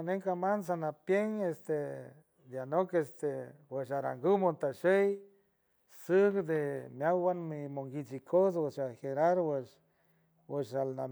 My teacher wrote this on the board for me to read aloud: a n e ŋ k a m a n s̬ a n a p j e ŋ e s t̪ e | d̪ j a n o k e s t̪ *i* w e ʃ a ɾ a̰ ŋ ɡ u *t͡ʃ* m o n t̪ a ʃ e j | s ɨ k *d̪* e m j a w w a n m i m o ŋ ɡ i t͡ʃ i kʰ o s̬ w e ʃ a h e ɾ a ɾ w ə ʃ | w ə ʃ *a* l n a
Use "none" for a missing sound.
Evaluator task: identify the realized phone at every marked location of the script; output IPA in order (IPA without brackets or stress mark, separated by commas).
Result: e, none, d̪, a